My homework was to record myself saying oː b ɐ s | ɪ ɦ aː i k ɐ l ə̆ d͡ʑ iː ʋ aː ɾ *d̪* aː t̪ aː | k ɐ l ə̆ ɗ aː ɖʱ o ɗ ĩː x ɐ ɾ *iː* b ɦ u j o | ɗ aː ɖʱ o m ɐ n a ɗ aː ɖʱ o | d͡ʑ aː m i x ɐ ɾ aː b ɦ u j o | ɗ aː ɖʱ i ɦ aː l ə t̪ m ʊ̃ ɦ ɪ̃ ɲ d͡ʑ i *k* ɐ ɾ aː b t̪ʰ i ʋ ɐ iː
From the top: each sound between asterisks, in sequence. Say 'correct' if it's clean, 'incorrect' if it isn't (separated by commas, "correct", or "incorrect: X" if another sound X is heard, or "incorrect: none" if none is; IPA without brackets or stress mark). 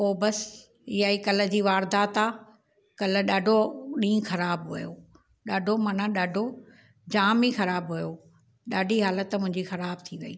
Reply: correct, incorrect: aː, incorrect: x